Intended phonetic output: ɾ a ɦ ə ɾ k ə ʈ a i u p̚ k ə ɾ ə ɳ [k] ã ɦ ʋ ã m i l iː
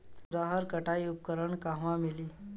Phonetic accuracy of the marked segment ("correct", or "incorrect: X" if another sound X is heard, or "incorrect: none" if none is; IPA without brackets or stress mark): correct